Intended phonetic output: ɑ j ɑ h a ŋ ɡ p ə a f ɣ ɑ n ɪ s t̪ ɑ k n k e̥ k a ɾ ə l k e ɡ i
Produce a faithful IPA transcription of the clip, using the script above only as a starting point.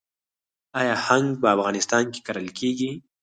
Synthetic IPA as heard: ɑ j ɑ h a ŋ ɡ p ə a f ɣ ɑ n ɪ s t̪ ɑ n k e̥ k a ɾ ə l k e ɡ i